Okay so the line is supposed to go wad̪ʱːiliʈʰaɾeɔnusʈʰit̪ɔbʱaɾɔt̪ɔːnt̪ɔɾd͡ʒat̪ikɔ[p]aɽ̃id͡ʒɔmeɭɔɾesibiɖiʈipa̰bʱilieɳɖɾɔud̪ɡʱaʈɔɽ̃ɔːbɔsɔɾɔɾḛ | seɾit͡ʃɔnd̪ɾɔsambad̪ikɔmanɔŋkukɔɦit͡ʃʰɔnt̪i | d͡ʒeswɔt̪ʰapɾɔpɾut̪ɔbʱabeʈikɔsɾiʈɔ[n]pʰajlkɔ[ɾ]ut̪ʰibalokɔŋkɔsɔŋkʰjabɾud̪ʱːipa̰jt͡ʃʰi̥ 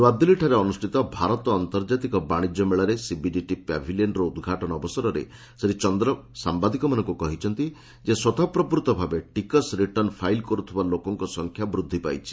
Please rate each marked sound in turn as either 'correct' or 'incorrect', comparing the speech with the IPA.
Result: incorrect: b, correct, correct

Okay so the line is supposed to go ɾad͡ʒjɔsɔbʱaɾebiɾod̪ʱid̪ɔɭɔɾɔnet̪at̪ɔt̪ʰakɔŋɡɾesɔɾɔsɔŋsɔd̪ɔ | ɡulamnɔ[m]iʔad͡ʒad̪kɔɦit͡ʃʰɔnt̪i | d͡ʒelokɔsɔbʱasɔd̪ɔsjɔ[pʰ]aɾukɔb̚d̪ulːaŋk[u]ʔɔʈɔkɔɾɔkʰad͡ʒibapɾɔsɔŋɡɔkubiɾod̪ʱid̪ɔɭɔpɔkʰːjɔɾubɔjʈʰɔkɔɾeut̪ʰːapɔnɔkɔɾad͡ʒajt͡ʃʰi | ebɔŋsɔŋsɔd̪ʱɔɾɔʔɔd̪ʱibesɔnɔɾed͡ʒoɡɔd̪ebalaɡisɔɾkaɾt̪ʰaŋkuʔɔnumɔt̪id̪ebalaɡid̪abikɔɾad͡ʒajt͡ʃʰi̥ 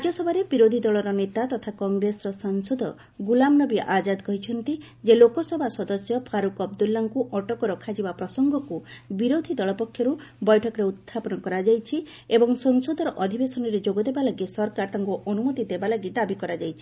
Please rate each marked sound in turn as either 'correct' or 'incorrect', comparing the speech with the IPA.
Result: incorrect: b, correct, correct

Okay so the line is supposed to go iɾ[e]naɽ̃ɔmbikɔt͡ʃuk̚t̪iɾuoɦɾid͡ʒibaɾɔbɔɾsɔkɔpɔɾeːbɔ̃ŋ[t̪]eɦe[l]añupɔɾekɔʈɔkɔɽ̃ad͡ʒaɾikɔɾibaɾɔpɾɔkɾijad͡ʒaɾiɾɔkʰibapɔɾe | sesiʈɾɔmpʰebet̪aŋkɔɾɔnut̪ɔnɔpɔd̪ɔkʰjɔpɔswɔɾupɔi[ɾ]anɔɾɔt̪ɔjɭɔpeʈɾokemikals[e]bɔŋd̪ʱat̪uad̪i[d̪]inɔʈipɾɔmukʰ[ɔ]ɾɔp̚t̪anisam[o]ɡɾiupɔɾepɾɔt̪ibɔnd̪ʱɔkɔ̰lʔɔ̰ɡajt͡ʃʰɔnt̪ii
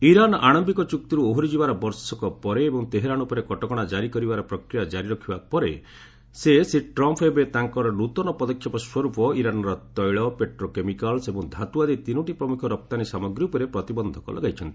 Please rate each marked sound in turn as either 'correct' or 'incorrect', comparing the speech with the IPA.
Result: incorrect: a, correct, incorrect: ɾ, correct, correct, incorrect: t̪, correct, incorrect: ɔ

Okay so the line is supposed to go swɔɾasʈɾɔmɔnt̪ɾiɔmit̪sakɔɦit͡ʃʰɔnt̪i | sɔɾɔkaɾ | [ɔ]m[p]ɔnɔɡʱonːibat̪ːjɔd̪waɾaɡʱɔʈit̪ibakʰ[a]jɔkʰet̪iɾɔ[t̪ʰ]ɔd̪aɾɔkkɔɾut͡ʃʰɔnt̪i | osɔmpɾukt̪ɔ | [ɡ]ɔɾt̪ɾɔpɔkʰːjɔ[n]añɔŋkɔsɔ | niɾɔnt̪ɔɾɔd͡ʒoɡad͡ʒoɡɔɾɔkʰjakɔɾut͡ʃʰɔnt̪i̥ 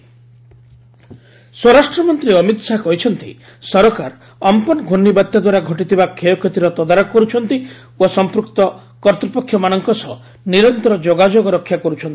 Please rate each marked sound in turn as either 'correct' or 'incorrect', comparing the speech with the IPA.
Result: correct, correct, incorrect: e, incorrect: t̪, incorrect: k, incorrect: m

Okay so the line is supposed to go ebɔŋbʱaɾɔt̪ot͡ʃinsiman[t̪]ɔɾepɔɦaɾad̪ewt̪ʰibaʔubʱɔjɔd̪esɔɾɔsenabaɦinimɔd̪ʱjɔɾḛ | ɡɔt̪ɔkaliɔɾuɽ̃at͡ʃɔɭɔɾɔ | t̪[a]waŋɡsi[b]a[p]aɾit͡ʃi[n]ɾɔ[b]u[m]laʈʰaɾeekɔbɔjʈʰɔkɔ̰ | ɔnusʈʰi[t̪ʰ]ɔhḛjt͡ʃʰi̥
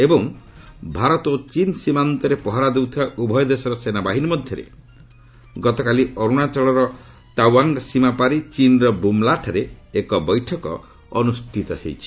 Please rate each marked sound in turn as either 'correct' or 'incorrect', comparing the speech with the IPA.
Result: correct, correct, incorrect: m, correct, correct, correct, correct, incorrect: t̪

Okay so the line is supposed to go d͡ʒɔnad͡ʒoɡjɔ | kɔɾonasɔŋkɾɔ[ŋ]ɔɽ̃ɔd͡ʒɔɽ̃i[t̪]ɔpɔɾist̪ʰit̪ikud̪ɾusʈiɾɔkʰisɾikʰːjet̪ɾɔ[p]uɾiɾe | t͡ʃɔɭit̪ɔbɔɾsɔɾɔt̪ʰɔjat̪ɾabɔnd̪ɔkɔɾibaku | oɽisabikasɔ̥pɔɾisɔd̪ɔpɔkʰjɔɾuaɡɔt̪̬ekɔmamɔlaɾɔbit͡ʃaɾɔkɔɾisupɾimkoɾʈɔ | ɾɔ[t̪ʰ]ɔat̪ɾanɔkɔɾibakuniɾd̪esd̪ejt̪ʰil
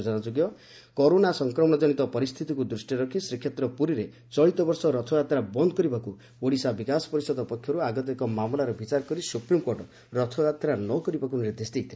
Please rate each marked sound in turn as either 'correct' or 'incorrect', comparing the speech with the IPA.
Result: incorrect: m, correct, correct, correct

